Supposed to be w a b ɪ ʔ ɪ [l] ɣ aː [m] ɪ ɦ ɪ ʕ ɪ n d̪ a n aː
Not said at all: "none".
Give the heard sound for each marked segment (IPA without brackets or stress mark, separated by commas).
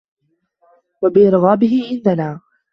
ɾ, b